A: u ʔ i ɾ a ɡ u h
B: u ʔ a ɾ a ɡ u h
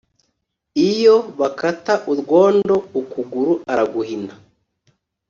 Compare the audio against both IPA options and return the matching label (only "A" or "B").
B